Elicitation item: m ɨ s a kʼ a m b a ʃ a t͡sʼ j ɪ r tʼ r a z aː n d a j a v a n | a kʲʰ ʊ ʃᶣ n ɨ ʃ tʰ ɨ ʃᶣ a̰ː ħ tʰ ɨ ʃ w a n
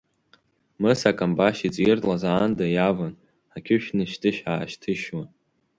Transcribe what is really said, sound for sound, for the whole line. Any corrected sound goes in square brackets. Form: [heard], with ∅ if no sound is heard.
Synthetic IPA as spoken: m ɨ s a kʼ a m b a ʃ [i] t͡sʼ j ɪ r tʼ [l] a z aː n d a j a v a n | a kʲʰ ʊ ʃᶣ n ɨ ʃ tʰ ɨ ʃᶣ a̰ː [ʃ] tʰ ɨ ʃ w a n